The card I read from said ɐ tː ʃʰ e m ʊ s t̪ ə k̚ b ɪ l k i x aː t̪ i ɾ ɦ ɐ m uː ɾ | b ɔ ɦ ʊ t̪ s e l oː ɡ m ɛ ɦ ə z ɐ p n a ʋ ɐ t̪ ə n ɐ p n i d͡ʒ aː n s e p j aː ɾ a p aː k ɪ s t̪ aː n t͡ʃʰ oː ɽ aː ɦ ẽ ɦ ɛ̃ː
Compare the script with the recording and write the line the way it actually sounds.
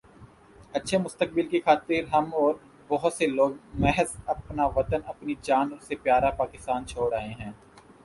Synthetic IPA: ɐ tː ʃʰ e m ʊ s t̪ ə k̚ b ɪ l k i x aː t̪ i ɾ ɦ ɐ m ɔː ɾ | b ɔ ɦ ʊ t̪ s e l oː ɡ m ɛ ɦ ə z ɐ p n a ʋ ɐ t̪ ə n ɐ p n i d͡ʒ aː n s e p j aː ɾ a p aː k ɪ s t̪ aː n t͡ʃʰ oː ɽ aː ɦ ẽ ɦ ɛ̃ː